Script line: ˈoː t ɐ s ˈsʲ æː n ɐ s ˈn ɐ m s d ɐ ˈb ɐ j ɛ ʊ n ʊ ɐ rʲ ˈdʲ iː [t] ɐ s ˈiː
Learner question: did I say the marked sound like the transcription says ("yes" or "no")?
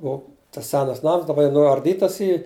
yes